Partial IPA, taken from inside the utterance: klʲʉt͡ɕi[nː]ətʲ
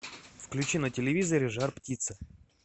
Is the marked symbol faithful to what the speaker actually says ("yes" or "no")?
no